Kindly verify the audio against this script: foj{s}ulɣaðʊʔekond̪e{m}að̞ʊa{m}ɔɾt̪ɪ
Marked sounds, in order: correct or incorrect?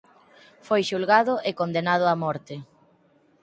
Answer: incorrect, incorrect, correct

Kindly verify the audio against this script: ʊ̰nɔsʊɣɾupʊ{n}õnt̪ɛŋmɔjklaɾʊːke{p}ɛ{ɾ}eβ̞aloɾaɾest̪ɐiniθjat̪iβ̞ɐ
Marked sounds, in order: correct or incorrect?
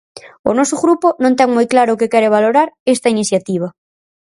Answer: correct, incorrect, correct

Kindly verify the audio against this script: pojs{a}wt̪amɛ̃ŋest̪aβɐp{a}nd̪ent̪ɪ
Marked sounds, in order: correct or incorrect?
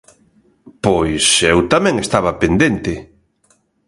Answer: incorrect, incorrect

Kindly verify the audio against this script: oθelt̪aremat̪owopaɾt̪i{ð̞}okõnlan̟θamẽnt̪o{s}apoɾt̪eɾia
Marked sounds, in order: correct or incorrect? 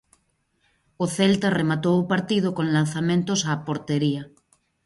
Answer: correct, correct

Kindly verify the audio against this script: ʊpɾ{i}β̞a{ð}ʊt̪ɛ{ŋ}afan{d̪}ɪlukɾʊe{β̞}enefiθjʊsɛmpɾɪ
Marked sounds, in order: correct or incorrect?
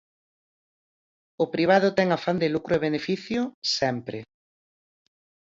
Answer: correct, correct, correct, correct, correct

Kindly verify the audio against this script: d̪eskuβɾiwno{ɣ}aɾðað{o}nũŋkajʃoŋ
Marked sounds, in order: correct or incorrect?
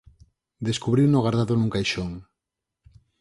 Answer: correct, correct

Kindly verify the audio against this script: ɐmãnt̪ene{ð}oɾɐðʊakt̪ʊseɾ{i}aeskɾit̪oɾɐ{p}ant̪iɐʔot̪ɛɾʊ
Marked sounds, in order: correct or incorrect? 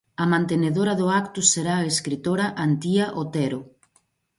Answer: correct, incorrect, incorrect

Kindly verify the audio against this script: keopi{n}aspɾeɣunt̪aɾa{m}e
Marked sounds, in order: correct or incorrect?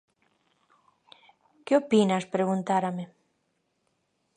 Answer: correct, correct

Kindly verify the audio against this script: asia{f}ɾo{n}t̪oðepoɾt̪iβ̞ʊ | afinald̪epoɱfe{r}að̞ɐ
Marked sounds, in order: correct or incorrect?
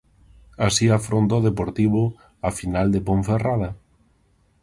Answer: correct, correct, correct

